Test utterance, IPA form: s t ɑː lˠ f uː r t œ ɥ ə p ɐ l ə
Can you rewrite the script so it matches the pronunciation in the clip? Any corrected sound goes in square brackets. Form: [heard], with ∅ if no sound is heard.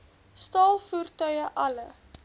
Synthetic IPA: s t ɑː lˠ f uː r t œ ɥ ə [ʔ] ɐ l ə

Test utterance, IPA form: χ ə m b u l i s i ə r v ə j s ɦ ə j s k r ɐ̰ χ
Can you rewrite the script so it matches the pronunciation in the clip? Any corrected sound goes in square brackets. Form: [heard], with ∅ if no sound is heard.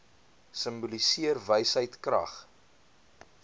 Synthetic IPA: [s] ə m b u l i s i ə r v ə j s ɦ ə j [t] k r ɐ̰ χ

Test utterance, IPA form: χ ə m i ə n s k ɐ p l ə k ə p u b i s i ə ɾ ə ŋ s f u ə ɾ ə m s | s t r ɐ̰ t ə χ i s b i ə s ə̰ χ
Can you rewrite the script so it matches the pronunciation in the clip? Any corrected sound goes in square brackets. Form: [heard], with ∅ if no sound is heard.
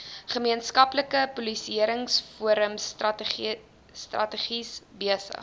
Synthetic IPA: χ ə m i ə n s k ɐ p l ə k ə p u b i s i ə ɾ ə ŋ s f u ə ɾ ə m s | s t r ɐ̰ t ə χ i s b i ə s ə̰ χ

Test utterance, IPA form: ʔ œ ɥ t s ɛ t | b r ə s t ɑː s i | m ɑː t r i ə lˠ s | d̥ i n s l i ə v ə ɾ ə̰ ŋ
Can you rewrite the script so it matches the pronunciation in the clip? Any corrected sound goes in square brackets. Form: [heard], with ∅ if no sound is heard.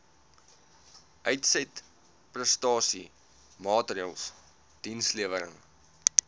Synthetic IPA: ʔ œ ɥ t s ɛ t | [p] r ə s t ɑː s i | m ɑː t r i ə lˠ s | d̥ i n s l i ə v ə ɾ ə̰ ŋ

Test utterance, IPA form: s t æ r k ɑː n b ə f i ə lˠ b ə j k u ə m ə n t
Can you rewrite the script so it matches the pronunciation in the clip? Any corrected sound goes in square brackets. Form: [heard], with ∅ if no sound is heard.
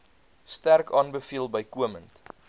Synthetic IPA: s t æ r k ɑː n b ə f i ə lˠ b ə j k u ə m ə n t

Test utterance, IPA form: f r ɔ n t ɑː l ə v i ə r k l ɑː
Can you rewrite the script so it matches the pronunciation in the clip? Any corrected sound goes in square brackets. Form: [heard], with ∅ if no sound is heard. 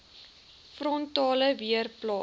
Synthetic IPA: f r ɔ n t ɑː l ə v i ə r [p] l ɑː

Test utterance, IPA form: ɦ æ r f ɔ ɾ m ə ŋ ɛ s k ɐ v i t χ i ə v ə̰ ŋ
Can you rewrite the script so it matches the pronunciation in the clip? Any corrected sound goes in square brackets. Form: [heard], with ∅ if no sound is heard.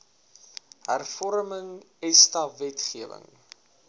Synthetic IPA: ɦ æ r f ɔ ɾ m ə ŋ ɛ s [t] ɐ v [ɛ] t χ i ə v ə̰ ŋ

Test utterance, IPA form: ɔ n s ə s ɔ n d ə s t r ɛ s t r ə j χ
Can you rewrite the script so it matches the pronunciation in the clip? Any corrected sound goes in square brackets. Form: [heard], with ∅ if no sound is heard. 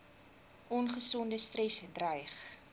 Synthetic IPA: ɔ n [χ] ə s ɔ n d ə s t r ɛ s [d] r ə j χ

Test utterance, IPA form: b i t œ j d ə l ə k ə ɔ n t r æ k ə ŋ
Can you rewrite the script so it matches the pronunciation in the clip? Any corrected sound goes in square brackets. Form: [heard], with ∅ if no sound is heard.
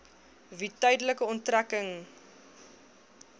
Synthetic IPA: [v] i t œ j d ə l ə k ə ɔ n t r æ k ə ŋ

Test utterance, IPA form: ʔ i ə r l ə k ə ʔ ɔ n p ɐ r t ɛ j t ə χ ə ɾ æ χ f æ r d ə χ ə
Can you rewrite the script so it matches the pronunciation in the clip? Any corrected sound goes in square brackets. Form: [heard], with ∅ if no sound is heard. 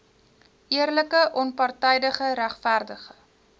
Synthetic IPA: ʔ i ə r l ə k ə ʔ ɔ n p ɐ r t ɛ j [d] ə χ ə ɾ æ χ f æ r d ə χ ə

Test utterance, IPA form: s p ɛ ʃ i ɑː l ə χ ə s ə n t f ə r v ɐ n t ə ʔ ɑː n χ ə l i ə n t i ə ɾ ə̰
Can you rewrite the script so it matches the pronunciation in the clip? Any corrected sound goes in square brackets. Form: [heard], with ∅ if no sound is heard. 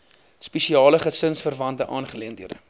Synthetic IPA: s p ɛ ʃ i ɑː l ə χ ə s ə n [s] f ə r v ɐ n t ə ʔ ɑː n χ ə l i ə n [d] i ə ɾ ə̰

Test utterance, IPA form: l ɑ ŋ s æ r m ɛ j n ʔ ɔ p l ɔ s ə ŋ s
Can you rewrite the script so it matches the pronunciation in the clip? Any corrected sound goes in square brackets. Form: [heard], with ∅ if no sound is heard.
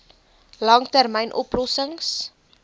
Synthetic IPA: l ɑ ŋ [t] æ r m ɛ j n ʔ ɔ p l ɔ s ə ŋ s

